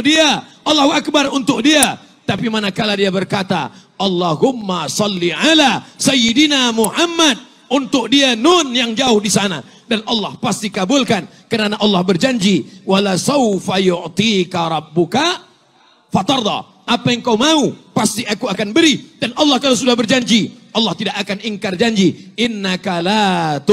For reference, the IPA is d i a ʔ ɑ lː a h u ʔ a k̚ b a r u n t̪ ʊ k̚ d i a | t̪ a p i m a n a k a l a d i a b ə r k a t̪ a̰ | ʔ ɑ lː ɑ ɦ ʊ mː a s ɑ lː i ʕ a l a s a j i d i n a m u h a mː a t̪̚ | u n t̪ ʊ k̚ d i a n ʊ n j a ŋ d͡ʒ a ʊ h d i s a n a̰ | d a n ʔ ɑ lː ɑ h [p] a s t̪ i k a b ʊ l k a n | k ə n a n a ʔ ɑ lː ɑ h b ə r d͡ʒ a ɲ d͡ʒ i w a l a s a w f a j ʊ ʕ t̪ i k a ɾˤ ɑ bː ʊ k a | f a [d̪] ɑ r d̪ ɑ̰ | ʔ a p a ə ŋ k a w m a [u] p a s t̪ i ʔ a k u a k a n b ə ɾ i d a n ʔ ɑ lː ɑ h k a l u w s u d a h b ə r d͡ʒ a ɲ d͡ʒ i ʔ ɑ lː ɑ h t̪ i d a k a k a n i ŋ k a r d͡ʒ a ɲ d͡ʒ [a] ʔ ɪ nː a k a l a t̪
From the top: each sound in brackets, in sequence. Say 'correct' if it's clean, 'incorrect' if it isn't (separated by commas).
correct, incorrect, correct, incorrect